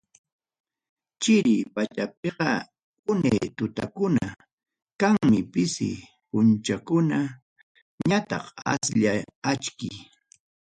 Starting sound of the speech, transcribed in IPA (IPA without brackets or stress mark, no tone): t͡ʃ